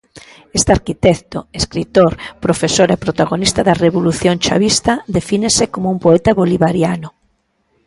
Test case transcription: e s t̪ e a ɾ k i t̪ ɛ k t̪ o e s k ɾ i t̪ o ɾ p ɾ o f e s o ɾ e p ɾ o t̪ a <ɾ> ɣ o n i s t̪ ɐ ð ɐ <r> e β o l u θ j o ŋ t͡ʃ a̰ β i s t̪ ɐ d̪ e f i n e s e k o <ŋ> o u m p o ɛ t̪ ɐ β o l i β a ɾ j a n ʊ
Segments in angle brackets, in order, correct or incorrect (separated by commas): incorrect, correct, incorrect